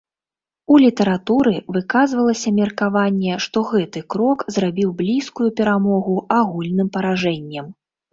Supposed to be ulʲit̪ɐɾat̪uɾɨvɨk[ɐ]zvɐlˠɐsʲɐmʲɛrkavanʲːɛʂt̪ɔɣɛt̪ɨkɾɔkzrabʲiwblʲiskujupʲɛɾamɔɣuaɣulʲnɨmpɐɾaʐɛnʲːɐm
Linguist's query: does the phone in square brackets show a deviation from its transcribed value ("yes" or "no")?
yes